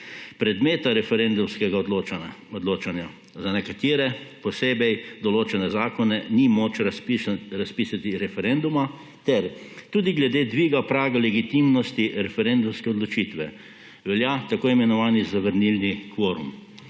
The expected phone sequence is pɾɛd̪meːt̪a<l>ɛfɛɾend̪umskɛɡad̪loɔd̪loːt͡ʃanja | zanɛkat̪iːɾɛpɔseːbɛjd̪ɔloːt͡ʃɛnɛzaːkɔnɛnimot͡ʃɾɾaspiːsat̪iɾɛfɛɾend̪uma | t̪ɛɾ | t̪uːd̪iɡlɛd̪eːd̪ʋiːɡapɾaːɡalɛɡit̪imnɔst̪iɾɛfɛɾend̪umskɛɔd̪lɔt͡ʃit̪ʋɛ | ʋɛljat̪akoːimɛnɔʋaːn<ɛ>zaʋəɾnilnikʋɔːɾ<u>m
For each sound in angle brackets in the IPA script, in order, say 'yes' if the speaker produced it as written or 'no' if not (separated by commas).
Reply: no, no, yes